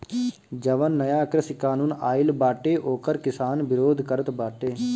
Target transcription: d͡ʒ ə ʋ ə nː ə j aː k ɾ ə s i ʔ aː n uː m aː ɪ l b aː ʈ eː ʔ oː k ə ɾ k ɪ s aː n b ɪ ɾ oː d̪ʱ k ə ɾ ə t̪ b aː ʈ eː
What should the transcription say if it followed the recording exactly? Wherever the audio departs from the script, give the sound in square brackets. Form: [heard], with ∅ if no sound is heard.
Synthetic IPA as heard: d͡ʒ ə ʋ ə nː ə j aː k ɾ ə s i [k] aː n uː [n] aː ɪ l b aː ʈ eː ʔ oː k ə ɾ k ɪ s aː n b ɪ ɾ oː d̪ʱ k ə ɾ ə t̪ b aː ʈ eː